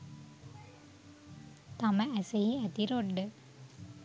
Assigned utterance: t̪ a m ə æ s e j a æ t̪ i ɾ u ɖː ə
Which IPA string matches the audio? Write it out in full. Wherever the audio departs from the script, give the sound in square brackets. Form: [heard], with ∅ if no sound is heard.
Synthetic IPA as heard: t̪ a m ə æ s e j [i] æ t̪ i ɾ [o] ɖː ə